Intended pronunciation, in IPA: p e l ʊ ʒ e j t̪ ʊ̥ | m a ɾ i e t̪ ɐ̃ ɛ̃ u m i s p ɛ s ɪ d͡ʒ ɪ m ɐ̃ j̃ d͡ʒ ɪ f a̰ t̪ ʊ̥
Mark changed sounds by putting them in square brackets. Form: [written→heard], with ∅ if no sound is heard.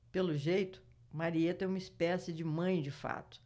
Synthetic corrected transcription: p e l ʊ ʒ e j t̪ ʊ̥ | m a ɾ i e t̪ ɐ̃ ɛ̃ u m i s p ɛ s ɪ d͡ʒ ɪ m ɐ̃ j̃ d͡ʒ ɪ f a̰ t̪ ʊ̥